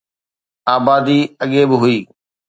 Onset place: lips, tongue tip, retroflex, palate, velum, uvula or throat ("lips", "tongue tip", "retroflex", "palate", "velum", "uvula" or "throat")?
lips